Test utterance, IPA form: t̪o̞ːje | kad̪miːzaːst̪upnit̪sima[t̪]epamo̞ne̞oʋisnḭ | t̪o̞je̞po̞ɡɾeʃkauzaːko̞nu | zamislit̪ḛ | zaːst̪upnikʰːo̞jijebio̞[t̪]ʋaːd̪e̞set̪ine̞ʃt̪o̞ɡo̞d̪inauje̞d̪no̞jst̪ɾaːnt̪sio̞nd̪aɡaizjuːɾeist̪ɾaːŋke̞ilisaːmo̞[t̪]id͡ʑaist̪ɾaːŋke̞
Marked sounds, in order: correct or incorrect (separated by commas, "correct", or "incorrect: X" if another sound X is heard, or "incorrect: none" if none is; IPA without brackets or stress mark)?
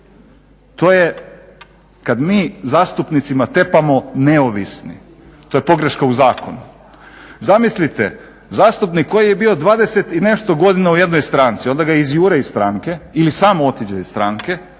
correct, incorrect: d̪, correct